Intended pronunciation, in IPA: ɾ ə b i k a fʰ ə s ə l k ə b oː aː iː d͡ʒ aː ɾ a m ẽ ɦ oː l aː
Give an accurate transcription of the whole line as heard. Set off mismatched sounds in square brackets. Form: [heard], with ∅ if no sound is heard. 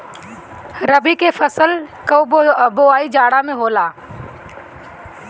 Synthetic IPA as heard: ɾ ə b i k [e] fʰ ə s ə l k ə b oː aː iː d͡ʒ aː [ɽ] a m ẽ ɦ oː l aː